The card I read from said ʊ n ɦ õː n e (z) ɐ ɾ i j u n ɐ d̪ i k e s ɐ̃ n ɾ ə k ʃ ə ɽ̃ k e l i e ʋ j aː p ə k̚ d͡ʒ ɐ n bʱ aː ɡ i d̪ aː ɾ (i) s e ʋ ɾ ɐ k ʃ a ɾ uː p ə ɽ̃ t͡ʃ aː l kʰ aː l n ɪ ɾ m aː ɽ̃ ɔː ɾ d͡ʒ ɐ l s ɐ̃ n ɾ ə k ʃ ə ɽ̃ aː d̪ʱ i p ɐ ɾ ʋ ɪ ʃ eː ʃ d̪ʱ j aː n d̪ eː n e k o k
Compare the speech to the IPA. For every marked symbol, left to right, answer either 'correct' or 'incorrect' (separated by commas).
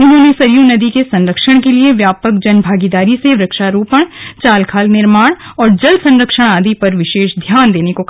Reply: incorrect, correct